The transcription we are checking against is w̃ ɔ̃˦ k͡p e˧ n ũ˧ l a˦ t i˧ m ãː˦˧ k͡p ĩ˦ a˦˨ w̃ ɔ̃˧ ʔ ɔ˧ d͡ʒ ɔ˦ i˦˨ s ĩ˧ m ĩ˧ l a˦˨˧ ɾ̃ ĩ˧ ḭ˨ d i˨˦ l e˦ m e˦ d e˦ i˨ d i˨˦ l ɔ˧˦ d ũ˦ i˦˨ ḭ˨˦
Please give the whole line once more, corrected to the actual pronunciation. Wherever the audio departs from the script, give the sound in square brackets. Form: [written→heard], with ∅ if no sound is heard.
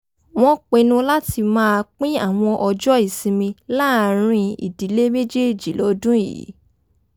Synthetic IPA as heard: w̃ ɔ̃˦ k͡p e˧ n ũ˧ l a˦ t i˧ m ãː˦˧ k͡p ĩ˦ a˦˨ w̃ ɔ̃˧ ʔ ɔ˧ d͡ʒ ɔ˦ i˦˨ s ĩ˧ m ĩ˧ l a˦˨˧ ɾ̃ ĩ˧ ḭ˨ d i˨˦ l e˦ m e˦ [d→d͡ʒ] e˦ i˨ [d→d͡ʒ] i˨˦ l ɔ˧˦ d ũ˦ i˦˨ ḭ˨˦